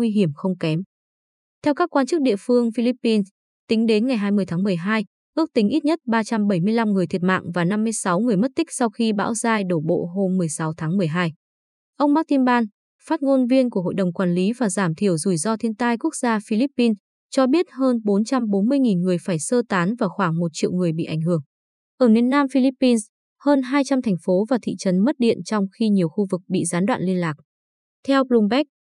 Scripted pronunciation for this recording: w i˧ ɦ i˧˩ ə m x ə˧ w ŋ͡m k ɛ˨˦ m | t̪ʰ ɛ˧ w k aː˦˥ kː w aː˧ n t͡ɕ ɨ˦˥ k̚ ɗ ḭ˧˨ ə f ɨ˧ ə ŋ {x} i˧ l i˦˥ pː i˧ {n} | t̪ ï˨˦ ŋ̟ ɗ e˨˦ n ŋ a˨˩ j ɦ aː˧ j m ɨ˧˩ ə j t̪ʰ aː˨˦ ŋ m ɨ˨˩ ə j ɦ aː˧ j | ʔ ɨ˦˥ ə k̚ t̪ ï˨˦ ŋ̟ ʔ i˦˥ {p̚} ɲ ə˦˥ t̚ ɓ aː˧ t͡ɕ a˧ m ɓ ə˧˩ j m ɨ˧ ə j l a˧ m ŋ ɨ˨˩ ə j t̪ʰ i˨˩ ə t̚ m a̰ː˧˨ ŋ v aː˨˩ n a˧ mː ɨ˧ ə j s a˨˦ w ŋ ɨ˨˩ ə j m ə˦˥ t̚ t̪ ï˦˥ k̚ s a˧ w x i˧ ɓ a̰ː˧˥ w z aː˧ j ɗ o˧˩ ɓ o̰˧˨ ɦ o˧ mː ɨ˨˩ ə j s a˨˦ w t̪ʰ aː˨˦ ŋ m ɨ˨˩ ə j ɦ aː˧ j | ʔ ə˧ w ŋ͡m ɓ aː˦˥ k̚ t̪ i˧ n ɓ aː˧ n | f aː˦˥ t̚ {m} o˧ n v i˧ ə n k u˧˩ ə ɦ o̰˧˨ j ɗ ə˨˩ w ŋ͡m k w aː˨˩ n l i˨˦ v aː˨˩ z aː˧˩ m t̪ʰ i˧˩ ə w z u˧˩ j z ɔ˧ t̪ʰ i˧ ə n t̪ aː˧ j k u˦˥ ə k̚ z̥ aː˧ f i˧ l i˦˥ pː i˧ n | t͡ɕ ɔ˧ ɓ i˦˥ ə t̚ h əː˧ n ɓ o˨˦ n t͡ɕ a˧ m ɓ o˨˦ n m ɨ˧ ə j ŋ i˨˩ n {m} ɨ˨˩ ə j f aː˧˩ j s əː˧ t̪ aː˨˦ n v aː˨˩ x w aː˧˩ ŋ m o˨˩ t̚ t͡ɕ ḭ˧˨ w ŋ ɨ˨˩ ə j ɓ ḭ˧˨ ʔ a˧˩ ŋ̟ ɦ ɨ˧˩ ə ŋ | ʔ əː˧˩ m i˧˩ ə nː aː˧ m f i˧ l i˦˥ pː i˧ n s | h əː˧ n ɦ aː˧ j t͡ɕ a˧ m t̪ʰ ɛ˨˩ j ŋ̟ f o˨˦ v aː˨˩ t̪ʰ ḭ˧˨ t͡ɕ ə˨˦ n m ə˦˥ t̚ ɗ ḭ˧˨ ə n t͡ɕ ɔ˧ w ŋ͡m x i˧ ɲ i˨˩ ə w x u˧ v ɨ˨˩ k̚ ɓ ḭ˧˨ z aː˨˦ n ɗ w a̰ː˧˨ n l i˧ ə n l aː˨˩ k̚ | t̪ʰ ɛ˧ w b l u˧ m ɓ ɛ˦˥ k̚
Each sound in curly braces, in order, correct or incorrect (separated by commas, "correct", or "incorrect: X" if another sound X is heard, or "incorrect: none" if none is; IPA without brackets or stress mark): incorrect: f, correct, incorrect: t̚, incorrect: ŋ, incorrect: ŋ